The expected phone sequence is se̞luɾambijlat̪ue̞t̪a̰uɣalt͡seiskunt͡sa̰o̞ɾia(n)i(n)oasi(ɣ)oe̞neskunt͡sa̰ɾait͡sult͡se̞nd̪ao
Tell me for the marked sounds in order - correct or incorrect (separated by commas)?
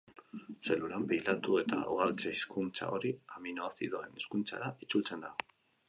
incorrect, correct, incorrect